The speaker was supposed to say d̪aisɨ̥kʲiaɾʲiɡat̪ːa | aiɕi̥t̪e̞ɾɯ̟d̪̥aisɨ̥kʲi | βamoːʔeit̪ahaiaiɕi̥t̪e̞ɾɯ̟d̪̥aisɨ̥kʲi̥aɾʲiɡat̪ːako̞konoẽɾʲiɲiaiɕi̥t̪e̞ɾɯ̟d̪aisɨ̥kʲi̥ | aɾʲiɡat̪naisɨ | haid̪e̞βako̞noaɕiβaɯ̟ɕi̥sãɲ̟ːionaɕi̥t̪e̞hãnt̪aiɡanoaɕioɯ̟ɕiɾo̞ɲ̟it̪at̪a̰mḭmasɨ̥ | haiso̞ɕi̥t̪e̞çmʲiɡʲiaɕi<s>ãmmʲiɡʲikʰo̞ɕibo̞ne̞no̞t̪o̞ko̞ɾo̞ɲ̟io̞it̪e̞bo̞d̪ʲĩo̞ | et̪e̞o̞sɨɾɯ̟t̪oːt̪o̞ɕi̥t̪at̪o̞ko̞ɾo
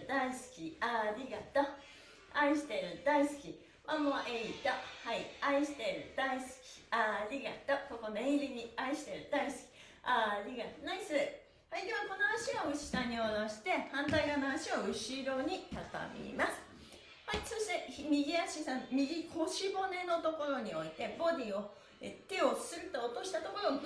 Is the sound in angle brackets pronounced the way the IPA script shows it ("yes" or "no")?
yes